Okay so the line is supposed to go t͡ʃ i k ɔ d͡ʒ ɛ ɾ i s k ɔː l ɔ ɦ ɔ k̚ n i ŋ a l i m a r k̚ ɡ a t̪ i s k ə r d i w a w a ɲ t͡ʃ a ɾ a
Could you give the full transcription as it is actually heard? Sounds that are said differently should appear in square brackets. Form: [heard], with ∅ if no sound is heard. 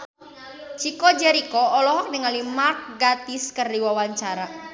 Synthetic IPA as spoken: t͡ʃ i k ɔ d͡ʒ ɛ ɾ i [∅] k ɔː l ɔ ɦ ɔ k̚ n i ŋ a l i m a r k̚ ɡ a t̪ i s k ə r d i w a w a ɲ t͡ʃ a ɾ a